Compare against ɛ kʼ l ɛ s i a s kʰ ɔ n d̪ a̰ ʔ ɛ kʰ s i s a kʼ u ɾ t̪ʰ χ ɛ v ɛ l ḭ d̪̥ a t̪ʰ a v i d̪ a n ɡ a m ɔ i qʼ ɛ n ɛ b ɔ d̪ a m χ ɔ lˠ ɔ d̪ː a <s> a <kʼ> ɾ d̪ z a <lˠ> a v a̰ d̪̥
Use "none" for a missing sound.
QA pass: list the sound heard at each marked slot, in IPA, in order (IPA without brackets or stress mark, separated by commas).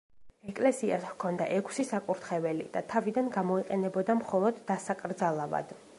s, kʼ, lˠ